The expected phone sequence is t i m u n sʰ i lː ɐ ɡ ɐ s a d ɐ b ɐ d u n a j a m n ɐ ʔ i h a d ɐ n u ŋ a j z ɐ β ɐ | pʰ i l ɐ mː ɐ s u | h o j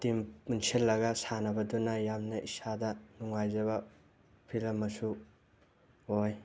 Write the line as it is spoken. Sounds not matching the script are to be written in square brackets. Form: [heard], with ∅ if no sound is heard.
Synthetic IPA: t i m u n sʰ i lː ɐ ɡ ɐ s a [n] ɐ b ɐ d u n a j a m n ɐ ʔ i [s] a d ɐ n u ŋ a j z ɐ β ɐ | pʰ i l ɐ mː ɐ s u | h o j